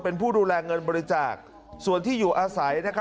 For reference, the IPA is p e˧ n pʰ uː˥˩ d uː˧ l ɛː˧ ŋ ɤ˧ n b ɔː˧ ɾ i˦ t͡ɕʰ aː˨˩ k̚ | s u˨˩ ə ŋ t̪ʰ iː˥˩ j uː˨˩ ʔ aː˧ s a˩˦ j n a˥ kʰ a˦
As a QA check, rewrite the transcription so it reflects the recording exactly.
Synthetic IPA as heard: p e˧ n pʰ uː˥˩ d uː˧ l ɛː˧ ŋ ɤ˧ n b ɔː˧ ɾ i˦ t͡ɕ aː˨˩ k̚ | s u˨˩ ə n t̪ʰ iː˥˩ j uː˨˩ ʔ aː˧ s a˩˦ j n a˥ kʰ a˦

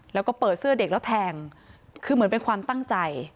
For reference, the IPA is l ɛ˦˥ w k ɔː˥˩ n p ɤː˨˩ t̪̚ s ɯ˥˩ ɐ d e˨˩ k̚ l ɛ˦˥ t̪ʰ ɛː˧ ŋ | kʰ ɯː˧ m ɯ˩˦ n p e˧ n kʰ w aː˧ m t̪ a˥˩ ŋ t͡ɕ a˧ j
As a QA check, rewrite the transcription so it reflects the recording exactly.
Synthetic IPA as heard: l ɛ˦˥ w k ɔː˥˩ p ɤː˨˩ t̪̚ s ɯ˥˩ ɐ d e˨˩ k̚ l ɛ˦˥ t̪ʰ ɛː˧ ŋ | kʰ ɯː˧ m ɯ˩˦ n p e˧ n kʰ w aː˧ m t̪ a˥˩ ŋ t͡ɕ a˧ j

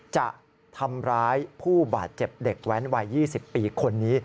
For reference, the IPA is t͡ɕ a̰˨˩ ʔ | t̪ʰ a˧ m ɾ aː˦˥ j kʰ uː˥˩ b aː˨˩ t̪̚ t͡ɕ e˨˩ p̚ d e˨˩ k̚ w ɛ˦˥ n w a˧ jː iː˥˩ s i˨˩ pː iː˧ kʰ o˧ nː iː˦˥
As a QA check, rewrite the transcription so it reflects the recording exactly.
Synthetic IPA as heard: t͡ɕ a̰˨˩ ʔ | t̪ʰ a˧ m ɾ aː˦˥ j pʰ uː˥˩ b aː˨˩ t̪̚ t͡ɕ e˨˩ p̚ d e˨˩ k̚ w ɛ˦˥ n w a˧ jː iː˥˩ s i˨˩ pː iː˧ kʰ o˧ nː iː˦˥

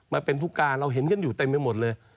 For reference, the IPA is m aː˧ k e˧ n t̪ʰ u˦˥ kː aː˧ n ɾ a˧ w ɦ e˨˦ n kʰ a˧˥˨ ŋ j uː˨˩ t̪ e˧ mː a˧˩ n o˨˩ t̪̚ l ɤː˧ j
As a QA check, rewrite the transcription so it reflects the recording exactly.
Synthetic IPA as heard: m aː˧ p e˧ n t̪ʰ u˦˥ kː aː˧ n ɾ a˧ w ɦ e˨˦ n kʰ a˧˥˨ n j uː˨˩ t̪ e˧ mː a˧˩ m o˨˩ t̪̚ l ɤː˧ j

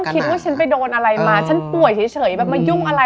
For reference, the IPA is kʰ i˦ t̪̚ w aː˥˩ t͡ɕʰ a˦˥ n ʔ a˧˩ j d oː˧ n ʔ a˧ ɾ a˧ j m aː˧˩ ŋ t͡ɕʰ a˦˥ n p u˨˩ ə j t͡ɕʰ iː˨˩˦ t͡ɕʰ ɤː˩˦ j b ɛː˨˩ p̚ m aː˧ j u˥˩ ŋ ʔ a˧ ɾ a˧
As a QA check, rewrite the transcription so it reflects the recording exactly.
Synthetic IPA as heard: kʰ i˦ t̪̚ w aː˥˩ t͡ɕʰ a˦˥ n p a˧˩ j d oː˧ n ʔ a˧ ɾ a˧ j m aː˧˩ t͡ɕʰ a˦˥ n p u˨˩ ə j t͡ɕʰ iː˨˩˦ t͡ɕʰ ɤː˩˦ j b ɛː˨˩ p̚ m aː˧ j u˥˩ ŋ ʔ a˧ ɾ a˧

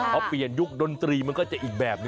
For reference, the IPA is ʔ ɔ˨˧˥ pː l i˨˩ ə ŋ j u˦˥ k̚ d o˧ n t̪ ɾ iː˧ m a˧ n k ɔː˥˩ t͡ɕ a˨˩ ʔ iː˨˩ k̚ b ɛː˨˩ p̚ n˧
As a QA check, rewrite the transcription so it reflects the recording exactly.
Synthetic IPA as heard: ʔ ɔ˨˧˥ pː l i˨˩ ə n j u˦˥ k̚ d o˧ n t̪ ɾ iː˧ m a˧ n k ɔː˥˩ t͡ɕ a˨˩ ʔ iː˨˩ k̚ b ɛː˨˩ p̚ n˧

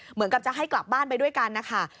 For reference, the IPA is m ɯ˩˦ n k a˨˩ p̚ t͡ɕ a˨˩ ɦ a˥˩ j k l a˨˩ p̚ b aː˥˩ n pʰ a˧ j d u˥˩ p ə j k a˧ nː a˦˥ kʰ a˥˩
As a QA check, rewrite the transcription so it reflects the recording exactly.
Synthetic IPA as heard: m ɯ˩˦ n k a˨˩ p̚ t͡ɕ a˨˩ ɦ a˥˩ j k l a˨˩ p̚ b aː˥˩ n p a˧ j d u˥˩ ə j k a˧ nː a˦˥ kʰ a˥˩

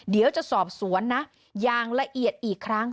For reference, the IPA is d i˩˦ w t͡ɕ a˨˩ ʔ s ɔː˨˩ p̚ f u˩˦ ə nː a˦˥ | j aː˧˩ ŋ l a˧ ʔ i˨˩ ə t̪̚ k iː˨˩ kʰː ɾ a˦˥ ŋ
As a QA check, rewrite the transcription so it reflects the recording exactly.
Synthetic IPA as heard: d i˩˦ w t͡ɕ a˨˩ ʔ s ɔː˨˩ p̚ s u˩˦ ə nː a˦˥ | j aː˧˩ ŋ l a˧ ʔ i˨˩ ə t̪̚ ʔ iː˨˩ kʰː ɾ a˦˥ ŋ

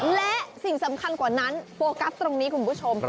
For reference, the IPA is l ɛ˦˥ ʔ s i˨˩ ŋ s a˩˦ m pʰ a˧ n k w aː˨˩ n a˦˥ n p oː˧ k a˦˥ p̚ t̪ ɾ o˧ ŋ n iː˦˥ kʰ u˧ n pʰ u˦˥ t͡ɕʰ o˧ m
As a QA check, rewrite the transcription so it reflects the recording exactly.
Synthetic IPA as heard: l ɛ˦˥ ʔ s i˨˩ ŋ s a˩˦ m kʰ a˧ n k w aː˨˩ n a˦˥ n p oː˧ k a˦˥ p̚ t̪ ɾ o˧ ŋ n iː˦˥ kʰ u˧ n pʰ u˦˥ t͡ɕʰ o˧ m

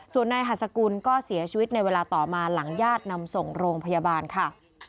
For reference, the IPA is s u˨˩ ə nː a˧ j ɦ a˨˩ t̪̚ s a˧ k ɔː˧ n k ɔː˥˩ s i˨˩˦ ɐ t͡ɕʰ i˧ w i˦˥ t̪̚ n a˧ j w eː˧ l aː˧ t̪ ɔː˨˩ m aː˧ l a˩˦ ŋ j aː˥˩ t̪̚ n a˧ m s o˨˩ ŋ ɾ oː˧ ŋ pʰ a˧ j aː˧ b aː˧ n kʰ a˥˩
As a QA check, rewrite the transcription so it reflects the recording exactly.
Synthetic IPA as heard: s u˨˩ ə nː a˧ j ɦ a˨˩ t̪̚ s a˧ k uː˧ n k ɔː˥˩ s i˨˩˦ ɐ t͡ɕʰ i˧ w i˦˥ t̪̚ n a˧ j w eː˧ l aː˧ t̪ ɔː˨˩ m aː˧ l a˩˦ ŋ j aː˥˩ t̪̚ n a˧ m s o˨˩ ŋ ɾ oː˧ ŋ pʰ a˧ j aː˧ b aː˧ n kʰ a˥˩

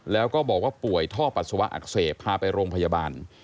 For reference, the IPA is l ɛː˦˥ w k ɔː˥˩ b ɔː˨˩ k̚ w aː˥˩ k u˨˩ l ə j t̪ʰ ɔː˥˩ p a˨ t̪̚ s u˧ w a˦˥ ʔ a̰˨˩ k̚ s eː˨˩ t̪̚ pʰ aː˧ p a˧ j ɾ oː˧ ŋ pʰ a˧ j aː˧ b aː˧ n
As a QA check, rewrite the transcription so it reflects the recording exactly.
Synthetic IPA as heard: l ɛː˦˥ w k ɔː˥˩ b ɔː˨˩ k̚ w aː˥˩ p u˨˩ ə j t̪ʰ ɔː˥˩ p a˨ t̪̚ s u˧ w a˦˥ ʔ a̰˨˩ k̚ s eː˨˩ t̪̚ pʰ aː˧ p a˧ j ɾ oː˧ ŋ pʰ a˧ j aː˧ b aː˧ n

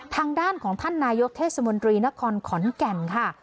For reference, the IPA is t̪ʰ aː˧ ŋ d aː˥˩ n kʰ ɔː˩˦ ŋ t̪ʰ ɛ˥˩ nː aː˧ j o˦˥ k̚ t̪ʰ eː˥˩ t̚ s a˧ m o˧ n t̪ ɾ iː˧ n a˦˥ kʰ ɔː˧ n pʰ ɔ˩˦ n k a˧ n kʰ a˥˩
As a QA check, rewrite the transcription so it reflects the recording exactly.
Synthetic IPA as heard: t̪ʰ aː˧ ŋ d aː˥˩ n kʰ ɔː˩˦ ŋ t̪ʰ a˥˩ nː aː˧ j o˦˥ k̚ t̪ʰ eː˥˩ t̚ s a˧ m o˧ n t̪ ɾ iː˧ n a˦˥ kʰ ɔː˧ n kʰ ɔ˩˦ n k ɛ˧ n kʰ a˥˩

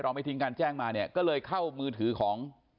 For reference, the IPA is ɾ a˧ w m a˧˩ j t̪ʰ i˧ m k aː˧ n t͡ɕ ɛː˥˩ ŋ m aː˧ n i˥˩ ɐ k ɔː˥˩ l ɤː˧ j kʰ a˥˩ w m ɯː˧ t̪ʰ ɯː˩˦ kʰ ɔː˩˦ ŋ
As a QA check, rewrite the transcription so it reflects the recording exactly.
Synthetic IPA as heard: ɾ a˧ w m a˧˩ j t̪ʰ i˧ ŋ k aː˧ n t͡ɕ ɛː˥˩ ŋ m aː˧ n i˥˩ ɐ k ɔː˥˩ l ɤː˧ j kʰ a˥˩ w m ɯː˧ t̪ʰ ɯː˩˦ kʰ ɔː˩˦ ŋ

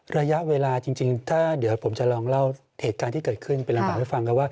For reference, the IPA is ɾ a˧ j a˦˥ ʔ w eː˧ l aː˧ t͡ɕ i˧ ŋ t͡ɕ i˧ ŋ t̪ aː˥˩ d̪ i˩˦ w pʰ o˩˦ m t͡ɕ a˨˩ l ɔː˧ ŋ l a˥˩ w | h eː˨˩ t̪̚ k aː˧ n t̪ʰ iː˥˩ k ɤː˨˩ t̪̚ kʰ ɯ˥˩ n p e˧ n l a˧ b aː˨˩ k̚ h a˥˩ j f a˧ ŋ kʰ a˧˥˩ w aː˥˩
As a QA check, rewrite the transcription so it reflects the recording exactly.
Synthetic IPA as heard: ɾ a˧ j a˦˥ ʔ w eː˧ l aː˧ t͡ɕ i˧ ŋ t͡ɕ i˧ ŋ t̪ʰ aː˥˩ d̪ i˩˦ w pʰ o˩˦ m t͡ɕ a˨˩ l ɔː˧ ŋ l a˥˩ w | h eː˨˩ t̪̚ k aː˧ n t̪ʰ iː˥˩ k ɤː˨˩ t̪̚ kʰ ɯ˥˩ n p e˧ n l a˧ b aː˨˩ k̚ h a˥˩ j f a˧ ŋ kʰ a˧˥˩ w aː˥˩

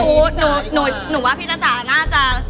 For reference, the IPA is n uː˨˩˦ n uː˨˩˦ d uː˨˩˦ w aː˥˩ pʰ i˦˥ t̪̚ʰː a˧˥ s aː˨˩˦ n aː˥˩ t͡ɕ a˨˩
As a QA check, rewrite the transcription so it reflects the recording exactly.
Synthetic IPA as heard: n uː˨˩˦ n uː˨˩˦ n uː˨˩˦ w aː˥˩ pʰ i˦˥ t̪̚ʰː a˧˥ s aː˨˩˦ n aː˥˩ t͡ɕ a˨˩

